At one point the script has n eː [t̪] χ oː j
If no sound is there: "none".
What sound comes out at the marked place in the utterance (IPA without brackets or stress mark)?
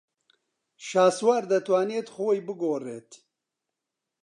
t̪